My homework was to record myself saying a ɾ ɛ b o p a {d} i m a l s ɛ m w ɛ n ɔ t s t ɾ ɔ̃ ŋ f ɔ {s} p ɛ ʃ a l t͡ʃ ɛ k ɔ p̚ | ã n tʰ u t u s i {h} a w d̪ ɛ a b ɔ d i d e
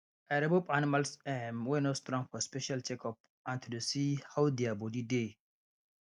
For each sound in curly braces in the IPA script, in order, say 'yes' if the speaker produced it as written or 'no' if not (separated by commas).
no, yes, yes